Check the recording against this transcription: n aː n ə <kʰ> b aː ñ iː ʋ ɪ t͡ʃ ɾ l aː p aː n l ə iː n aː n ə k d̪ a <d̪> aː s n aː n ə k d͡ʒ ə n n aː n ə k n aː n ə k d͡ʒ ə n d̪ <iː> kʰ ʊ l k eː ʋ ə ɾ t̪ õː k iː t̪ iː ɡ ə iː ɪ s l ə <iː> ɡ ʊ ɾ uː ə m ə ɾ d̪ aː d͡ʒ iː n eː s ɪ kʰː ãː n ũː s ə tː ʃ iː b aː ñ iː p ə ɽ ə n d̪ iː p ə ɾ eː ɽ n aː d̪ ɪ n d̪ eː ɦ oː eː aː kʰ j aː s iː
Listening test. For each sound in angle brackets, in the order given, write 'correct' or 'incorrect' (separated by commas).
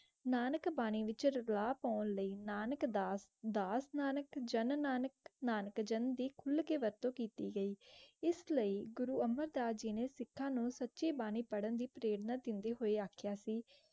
incorrect, correct, correct, correct